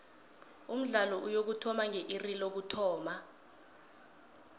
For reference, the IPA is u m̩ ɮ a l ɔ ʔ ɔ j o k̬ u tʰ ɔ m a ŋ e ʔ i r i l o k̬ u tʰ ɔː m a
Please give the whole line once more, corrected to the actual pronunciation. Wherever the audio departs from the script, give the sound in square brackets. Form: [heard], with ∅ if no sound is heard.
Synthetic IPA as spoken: u m̩ ɮ a l ɔ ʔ [u] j o k̬ u tʰ ɔ m a ŋ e ʔ i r i l o k̬ u tʰ ɔː m a